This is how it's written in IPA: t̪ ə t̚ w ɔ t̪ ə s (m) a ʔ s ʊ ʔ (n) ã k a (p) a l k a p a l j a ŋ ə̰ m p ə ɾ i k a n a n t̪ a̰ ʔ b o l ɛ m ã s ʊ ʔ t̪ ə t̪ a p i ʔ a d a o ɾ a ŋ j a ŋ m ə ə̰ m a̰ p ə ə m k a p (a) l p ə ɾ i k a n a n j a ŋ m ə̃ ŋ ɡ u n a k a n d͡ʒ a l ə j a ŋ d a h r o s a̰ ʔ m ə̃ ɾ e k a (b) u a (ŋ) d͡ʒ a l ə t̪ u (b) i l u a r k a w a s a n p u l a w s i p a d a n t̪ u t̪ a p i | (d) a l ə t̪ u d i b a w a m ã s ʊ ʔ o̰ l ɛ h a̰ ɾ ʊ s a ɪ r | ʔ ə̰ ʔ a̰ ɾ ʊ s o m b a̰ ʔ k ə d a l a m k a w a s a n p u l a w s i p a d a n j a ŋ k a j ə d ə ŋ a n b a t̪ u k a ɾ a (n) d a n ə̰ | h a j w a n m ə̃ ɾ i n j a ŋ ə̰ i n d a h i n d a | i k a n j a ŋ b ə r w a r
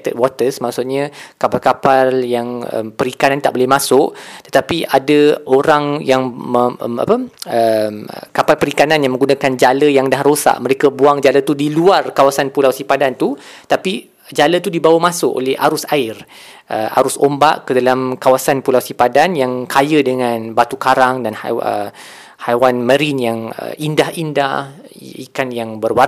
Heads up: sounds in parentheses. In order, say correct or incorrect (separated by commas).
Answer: correct, incorrect, correct, correct, correct, correct, incorrect, incorrect, incorrect